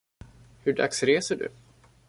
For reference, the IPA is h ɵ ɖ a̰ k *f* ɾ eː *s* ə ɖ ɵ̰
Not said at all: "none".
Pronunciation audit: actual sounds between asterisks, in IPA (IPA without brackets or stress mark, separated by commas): s, s